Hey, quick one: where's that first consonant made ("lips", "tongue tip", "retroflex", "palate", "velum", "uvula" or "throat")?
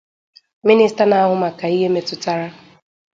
lips